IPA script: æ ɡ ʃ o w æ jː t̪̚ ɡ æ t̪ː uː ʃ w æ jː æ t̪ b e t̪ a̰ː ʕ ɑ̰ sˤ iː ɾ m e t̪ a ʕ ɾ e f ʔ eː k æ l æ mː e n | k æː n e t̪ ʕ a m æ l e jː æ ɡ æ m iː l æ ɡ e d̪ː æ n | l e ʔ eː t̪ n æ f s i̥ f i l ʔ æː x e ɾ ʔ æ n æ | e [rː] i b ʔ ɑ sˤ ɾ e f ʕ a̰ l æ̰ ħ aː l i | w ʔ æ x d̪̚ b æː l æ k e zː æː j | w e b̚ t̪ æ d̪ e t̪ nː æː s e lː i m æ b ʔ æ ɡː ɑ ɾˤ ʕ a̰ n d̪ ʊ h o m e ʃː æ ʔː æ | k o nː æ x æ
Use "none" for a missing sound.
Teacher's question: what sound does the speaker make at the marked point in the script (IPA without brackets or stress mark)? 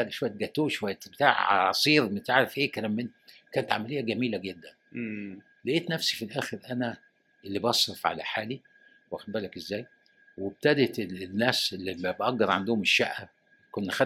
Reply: lː